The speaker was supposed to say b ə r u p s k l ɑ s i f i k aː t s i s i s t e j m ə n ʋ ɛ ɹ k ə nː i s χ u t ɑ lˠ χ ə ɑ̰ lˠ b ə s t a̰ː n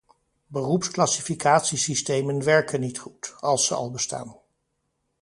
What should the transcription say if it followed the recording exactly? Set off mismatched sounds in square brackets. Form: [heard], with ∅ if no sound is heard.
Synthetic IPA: b ə r u p s k l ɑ s i f i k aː t s i s i s t e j m ə n ʋ ɛ ɹ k ə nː i [t] χ u t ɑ lˠ [s] ə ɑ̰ lˠ b ə s t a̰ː n